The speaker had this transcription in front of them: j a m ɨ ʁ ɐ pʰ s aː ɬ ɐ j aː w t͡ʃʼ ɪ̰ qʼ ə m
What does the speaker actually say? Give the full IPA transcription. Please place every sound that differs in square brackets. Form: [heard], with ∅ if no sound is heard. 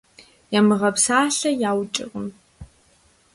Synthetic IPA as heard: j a m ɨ ʁ ɐ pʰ s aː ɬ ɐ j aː w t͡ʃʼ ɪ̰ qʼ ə m